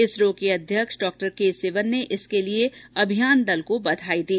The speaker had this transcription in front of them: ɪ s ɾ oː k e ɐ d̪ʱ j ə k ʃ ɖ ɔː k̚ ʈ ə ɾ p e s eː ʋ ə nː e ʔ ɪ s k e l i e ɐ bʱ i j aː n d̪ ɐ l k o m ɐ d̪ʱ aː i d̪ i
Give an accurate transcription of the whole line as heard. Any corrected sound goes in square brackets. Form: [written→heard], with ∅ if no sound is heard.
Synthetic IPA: ɪ s ɾ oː k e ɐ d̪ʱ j ə k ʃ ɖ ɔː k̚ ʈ ə ɾ [p→k] e s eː ʋ ə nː e ʔ ɪ s k e l i e ɐ bʱ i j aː n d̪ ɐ l k o [m→b] ɐ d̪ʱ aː i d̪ [i→iː]